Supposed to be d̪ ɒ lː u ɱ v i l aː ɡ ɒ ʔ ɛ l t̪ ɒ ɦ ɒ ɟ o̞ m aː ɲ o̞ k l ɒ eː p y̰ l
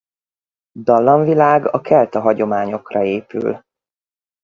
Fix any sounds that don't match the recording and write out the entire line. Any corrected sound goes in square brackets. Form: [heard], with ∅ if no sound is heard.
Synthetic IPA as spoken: d̪ ɒ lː [ɒ] ɱ v i l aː ɡ ɒ [k] ɛ l t̪ ɒ ɦ ɒ ɟ o̞ m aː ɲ o̞ k [r] ɒ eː p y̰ l